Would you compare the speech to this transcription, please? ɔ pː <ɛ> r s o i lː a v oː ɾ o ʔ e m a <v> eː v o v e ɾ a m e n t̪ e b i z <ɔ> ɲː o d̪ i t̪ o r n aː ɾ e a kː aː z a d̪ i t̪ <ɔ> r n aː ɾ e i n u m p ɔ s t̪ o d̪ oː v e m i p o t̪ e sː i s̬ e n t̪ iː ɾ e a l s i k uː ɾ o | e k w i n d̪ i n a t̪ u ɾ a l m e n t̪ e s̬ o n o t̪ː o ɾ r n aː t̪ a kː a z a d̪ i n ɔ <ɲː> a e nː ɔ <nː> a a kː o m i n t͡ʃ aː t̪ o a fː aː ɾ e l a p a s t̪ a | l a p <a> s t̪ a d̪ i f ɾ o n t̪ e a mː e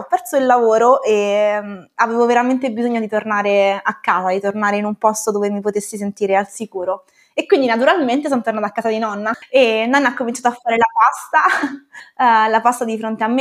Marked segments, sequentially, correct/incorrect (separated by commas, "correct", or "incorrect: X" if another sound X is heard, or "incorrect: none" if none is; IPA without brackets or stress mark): correct, correct, incorrect: o, incorrect: o, incorrect: nː, correct, correct